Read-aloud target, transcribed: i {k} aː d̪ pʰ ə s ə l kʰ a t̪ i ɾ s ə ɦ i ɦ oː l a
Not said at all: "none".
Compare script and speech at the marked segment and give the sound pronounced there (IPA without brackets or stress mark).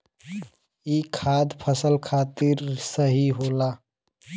kʰ